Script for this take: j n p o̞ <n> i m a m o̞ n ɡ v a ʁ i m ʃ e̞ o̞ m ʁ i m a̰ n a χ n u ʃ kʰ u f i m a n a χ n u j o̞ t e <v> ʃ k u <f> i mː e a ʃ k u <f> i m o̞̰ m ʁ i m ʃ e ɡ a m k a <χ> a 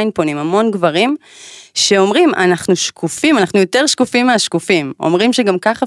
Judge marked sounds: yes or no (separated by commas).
yes, no, yes, yes, yes